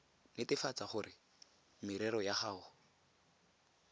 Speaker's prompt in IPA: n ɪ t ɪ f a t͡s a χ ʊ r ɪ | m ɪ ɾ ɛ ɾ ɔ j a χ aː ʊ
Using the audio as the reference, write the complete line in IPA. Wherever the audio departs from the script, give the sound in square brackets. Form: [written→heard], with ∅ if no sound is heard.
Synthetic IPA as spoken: n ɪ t ɪ f a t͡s a χ ʊ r ɪ | m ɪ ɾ ɛ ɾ ɔ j a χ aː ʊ